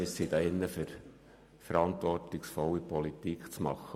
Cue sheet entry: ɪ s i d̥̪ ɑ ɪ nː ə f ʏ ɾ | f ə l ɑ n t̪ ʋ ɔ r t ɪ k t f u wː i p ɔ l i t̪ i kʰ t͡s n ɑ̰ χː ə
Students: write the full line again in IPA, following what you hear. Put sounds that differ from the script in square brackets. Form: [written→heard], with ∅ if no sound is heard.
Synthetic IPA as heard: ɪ s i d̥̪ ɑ ɪ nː ə f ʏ ɾ | f ə [l→ɾ] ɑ n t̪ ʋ ɔ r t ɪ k [t→s] f [u→ɔ] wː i p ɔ l i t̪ i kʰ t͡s [n→m] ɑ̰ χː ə